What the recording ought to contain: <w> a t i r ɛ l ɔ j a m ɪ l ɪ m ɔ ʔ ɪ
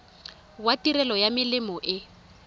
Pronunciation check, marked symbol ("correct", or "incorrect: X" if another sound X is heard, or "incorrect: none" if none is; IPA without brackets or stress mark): correct